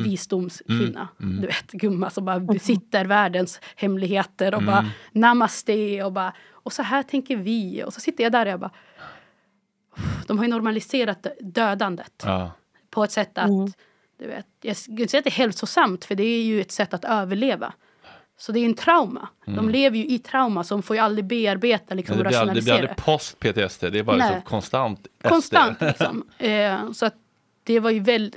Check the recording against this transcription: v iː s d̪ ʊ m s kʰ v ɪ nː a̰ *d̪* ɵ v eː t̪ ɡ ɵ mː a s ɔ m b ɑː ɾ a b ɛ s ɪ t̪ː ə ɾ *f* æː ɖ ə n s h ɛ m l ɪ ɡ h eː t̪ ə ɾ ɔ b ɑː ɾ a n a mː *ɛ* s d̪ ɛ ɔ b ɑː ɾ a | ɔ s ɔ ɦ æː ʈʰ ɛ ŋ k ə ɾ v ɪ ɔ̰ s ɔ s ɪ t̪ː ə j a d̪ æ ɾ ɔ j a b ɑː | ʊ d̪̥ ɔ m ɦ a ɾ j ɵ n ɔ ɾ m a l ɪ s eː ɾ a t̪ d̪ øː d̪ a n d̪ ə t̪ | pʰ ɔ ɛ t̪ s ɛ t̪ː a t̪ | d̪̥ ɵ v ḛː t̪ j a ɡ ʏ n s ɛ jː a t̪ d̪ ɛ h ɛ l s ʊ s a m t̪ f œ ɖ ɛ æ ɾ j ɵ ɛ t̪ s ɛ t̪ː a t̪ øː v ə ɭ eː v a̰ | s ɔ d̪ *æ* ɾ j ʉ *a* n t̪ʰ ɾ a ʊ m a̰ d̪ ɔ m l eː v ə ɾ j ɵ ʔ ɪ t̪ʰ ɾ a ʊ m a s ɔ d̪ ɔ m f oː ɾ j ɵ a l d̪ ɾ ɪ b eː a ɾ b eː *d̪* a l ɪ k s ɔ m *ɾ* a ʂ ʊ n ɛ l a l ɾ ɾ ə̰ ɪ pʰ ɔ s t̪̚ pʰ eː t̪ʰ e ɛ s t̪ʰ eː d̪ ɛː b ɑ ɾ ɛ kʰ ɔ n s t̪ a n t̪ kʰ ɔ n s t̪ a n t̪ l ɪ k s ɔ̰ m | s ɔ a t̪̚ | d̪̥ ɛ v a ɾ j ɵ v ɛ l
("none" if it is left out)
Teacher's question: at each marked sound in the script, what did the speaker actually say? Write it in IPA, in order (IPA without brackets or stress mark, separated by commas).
d̪, v, a, ɛ, ɛ, t̪, ɾ